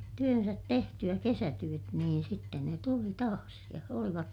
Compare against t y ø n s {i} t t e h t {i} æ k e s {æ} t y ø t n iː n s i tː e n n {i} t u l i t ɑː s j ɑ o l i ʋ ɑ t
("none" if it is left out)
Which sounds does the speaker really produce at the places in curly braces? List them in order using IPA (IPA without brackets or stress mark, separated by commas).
æ, y, æ, e